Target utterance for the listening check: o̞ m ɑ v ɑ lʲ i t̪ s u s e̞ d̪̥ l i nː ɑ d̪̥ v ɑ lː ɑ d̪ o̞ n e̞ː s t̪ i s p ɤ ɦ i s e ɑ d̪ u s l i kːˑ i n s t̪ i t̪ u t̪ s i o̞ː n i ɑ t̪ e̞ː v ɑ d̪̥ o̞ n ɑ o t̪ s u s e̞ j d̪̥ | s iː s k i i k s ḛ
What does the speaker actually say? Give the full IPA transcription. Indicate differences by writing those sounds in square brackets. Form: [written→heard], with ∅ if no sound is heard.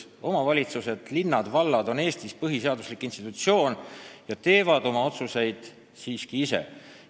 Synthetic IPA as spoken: o̞ m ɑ v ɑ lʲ i t̪ s u s e̞ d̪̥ l i nː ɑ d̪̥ v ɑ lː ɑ d̪ o̞ n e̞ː s t̪ i s p ɤ ɦ i s e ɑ d̪ u s l i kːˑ i n s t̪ i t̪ u t̪ s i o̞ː n [i→j] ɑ t̪ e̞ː v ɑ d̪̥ o̞ [n→m] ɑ o t̪ s u s e̞ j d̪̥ | s iː s k i i [k→∅] s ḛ